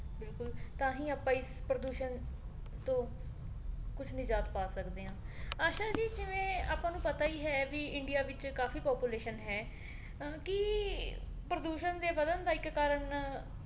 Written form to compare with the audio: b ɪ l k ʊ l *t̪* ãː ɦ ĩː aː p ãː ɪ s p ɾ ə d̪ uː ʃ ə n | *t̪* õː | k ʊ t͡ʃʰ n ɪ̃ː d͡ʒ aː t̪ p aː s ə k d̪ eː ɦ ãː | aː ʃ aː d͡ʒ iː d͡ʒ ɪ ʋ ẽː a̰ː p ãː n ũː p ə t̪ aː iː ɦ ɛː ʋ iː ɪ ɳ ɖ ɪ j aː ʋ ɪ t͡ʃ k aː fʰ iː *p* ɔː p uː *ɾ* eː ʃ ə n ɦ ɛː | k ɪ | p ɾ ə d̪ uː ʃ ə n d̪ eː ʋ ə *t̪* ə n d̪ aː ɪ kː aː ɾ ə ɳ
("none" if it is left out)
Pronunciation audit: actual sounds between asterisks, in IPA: t̪, t̪, p, l, d̪

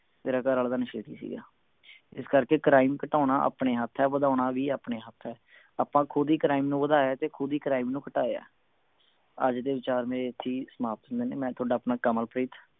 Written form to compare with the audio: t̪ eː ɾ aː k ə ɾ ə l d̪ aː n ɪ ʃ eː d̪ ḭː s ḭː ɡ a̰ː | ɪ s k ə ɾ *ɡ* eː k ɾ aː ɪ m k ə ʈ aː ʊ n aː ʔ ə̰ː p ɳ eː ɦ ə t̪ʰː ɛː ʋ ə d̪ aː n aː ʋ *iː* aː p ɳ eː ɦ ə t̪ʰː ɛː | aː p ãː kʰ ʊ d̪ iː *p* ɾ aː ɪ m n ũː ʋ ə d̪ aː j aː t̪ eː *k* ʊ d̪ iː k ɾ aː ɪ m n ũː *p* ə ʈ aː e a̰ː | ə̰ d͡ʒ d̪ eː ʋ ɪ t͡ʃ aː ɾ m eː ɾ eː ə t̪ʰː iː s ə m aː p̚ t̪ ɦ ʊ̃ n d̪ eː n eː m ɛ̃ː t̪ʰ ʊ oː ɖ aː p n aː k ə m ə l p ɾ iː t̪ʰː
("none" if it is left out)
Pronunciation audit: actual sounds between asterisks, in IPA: k, iː, k, kʰ, k

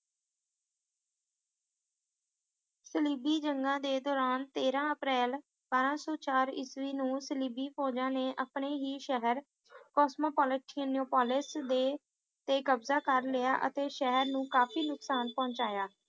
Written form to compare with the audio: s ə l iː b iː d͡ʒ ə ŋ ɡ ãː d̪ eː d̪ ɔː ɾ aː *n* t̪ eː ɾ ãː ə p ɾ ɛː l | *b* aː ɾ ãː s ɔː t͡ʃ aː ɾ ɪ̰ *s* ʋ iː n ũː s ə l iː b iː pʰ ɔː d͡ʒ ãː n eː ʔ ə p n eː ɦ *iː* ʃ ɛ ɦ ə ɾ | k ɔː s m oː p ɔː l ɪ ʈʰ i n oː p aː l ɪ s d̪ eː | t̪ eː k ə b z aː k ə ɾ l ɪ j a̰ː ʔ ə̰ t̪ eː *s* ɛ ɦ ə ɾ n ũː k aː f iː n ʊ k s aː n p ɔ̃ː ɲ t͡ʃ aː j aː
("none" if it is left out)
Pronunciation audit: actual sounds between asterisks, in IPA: n, b, s, iː, ʃ

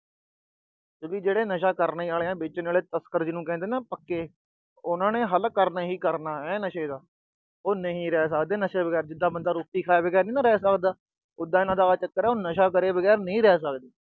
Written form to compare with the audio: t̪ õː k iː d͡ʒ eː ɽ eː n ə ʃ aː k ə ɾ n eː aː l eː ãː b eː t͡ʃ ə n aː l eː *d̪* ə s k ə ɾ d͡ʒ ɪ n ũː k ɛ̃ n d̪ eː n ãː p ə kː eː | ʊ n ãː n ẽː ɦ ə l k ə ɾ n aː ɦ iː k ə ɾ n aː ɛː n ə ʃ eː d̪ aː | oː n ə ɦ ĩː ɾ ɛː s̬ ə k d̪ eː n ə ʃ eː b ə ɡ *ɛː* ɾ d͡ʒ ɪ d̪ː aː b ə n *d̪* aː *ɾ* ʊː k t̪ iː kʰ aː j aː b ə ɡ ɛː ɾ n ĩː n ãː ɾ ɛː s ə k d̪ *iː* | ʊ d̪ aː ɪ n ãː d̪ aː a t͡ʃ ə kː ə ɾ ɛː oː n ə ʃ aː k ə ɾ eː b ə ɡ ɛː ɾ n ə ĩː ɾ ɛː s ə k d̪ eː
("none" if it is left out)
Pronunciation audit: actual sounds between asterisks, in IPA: t̪, ɛː, d̪, ɾ, aː

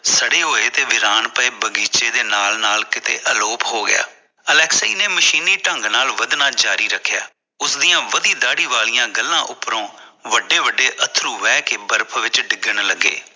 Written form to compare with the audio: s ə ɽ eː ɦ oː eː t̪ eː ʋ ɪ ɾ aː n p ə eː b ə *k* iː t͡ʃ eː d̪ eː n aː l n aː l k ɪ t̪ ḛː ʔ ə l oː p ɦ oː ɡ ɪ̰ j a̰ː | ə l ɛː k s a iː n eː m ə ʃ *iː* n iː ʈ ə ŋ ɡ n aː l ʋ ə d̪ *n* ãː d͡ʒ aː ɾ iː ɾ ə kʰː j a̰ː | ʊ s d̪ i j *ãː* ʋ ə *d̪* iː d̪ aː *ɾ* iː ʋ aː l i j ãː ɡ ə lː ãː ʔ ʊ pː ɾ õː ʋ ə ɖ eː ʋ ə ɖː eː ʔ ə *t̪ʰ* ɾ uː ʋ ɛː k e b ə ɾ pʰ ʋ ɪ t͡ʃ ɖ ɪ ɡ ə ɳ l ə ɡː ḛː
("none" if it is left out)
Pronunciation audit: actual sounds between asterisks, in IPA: ɡ, iː, n, ãː, d̪, ɽ, t̪ʰ

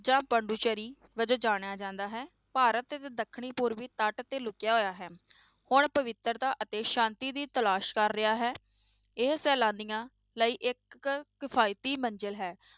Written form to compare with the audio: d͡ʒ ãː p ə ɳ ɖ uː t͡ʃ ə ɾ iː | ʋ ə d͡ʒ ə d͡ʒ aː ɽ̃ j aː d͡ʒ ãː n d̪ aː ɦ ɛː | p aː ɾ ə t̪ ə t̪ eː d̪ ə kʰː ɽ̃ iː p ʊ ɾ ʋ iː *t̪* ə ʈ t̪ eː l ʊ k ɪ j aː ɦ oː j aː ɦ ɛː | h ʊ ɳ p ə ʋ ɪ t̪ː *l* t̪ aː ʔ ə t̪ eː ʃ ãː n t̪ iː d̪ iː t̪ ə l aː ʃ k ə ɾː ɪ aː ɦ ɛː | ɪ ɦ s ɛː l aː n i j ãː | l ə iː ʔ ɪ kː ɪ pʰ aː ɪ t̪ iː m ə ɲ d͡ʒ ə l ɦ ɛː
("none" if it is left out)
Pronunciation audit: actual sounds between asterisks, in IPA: t̪, ɾ

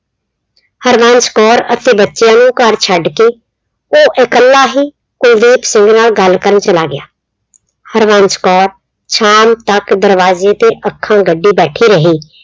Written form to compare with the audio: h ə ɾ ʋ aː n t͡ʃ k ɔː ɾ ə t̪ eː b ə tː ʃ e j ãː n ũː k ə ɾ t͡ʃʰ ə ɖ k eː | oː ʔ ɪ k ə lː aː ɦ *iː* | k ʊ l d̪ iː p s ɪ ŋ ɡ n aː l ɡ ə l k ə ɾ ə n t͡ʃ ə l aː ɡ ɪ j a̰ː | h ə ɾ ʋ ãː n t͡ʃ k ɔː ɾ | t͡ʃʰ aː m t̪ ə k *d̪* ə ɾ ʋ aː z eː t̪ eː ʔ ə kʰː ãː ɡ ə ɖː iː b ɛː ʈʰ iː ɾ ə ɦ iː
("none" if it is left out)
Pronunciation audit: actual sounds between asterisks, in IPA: iː, d̪

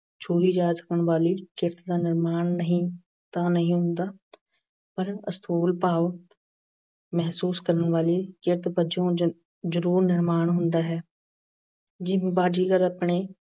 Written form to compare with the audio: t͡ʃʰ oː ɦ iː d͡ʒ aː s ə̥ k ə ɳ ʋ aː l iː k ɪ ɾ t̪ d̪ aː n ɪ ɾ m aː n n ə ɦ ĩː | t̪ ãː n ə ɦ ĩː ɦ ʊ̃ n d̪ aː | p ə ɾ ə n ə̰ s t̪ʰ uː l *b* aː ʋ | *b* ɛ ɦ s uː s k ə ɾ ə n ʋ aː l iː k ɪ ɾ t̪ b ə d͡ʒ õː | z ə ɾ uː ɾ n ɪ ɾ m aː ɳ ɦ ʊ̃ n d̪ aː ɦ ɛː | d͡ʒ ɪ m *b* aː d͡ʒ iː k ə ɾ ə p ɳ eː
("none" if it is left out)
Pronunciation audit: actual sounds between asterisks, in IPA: p, m, b

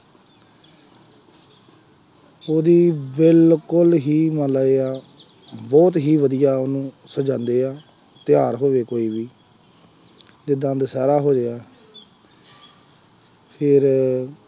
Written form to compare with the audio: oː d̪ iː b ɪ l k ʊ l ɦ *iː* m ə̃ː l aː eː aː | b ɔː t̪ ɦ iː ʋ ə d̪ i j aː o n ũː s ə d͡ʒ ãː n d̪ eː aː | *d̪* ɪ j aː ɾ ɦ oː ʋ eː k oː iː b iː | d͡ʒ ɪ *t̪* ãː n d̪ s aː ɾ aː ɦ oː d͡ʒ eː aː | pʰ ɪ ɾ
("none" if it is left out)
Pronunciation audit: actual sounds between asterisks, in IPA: iː, t̪, d̪

